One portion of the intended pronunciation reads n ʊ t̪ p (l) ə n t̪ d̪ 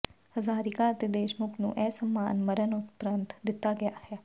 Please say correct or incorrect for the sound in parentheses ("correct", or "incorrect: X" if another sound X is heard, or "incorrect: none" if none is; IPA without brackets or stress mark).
incorrect: ɾ